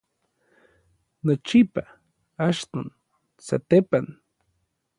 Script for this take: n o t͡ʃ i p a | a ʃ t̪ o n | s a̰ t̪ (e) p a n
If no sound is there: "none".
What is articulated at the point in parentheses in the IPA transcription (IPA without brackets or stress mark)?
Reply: e